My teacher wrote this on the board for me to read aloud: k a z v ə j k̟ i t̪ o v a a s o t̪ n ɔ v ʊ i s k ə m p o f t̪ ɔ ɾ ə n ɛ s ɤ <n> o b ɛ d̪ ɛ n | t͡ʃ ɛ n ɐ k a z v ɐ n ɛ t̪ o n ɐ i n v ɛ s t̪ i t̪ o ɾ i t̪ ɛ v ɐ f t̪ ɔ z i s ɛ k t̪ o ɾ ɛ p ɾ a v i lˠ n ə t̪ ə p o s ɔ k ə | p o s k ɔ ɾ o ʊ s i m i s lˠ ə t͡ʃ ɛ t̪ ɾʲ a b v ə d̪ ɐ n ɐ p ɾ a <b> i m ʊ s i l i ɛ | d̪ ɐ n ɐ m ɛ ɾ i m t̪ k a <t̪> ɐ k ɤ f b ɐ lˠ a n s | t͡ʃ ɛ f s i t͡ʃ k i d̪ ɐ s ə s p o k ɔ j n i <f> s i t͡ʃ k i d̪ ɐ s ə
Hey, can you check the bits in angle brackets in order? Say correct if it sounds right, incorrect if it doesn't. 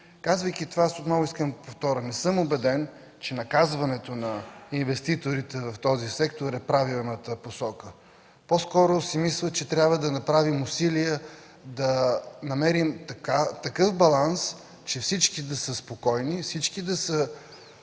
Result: incorrect: m, incorrect: v, correct, correct

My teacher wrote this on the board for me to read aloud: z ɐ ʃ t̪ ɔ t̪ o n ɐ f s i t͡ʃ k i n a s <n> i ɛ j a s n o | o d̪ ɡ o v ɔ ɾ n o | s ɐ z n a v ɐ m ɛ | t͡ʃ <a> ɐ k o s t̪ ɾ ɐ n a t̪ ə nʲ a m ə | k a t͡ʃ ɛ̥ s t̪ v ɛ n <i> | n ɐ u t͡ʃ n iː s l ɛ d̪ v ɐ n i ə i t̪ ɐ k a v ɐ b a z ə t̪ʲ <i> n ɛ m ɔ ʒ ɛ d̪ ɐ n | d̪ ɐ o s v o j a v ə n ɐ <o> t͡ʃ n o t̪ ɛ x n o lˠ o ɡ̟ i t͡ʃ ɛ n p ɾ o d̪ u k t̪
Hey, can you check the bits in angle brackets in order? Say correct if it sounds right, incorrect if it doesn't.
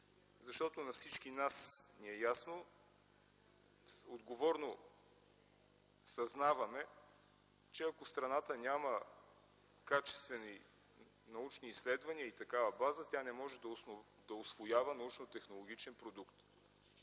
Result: correct, incorrect: ɛ, correct, incorrect: a, incorrect: u

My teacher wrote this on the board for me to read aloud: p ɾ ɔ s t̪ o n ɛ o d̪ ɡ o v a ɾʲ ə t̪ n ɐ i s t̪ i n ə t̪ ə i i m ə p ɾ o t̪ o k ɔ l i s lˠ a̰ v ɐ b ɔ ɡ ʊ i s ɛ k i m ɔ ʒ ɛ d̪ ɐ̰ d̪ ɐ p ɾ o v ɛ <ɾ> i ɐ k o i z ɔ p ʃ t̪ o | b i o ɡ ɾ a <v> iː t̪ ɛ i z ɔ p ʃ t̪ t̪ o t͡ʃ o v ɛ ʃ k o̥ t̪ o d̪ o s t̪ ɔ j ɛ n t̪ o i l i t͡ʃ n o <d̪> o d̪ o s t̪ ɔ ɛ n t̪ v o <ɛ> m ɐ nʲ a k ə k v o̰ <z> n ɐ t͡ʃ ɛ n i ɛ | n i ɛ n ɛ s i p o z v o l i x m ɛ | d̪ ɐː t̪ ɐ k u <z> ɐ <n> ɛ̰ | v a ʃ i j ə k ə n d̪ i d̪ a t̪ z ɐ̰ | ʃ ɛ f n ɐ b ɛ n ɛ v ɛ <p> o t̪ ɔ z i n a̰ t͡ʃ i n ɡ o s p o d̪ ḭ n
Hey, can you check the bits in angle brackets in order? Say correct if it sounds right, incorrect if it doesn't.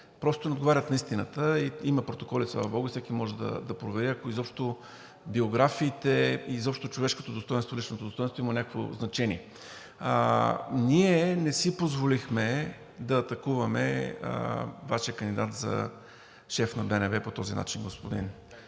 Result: correct, incorrect: f, incorrect: t̪, incorrect: i, correct, incorrect: v, incorrect: m, correct

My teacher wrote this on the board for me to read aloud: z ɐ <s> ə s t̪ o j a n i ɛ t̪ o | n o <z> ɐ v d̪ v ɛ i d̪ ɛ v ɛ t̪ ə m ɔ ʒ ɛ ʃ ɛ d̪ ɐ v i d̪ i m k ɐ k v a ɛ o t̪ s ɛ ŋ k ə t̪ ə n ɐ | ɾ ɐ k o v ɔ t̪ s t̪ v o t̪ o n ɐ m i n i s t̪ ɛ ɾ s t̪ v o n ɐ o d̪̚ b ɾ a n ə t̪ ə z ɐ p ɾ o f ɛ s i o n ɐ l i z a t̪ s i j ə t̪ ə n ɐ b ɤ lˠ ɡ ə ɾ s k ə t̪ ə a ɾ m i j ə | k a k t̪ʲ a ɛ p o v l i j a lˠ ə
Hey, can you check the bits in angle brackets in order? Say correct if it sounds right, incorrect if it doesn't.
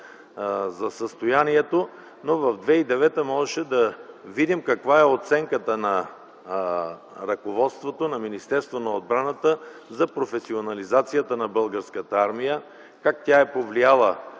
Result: correct, incorrect: v

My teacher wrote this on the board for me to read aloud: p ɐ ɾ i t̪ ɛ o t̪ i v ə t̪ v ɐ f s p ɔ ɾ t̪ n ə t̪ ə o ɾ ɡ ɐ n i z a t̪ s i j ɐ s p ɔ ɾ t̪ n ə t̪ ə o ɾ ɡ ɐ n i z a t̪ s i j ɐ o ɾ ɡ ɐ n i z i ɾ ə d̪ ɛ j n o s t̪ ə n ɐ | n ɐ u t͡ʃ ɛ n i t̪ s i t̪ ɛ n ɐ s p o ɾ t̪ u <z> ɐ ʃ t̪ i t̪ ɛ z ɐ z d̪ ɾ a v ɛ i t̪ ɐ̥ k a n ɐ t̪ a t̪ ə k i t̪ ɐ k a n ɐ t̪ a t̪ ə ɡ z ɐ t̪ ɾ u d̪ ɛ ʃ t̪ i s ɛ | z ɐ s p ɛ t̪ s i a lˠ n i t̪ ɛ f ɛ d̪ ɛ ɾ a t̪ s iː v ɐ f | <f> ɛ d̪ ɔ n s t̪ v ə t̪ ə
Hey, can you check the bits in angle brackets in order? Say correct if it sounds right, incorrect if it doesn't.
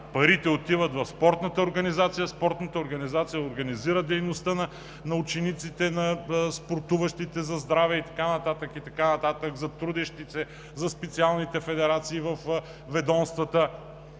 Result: incorrect: v, incorrect: v

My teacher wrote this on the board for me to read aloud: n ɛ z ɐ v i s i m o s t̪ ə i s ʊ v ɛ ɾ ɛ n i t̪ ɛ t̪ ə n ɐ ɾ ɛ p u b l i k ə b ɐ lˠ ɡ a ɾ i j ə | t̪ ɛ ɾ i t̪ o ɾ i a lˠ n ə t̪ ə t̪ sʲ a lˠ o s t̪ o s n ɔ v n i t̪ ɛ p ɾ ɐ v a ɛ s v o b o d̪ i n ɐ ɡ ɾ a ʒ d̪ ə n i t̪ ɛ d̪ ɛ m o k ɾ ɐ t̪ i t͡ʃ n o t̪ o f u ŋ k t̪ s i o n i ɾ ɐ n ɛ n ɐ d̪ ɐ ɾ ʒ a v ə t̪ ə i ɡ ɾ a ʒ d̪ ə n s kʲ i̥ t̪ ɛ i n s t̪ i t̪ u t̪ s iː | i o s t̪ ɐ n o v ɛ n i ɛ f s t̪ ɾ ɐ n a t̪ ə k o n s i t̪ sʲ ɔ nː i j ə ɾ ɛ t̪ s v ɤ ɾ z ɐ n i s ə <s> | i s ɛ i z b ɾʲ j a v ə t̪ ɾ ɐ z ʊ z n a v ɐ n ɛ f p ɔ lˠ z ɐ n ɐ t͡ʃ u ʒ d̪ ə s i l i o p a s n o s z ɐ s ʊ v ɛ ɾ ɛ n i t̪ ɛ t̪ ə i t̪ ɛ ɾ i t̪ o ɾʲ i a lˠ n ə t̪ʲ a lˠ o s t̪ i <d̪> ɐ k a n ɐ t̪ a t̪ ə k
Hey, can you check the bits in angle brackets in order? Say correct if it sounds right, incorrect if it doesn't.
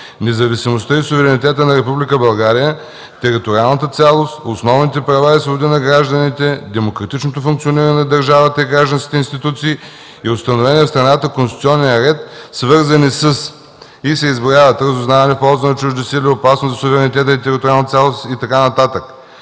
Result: correct, incorrect: t̪

